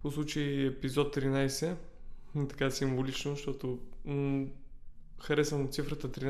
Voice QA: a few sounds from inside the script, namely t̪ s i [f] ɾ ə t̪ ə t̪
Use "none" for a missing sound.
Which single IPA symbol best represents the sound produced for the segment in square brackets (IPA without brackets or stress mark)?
f